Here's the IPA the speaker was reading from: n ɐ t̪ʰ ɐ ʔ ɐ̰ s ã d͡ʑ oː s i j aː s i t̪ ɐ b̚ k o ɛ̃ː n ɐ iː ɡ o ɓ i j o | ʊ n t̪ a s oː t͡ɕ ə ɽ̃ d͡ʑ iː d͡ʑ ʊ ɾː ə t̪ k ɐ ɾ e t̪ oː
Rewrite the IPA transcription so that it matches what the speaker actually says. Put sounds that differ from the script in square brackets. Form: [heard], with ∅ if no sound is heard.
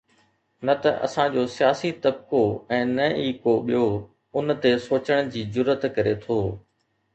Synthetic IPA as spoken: n ɐ [t̪] ɐ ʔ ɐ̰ s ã d͡ʑ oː s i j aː s i t̪ ɐ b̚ k o ɛ̃ː n ɐ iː [k] o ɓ i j o | ʊ n t̪ [e] s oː t͡ɕ ə ɽ̃ d͡ʑ iː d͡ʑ ʊ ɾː ə t̪ k ɐ ɾ e [t̪ʰ] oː

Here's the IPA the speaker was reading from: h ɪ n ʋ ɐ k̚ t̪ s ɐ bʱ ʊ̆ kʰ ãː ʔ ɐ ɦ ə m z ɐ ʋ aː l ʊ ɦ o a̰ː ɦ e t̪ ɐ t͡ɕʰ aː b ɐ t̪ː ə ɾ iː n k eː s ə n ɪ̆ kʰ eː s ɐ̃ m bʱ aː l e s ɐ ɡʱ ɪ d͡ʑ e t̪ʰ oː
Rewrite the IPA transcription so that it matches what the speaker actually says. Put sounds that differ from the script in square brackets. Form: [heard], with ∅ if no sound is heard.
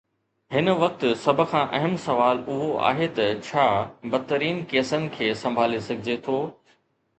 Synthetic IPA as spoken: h ɪ n ʋ ɐ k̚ t̪ s ɐ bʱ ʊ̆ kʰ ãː ʔ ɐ ɦ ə m [s] ɐ ʋ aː l ʊ ɦ o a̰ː ɦ e t̪ ɐ t͡ɕʰ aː b ɐ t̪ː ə ɾ iː n k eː s ə n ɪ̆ kʰ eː s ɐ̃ m bʱ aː l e s ɐ ɡʱ ɪ d͡ʑ e t̪ʰ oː

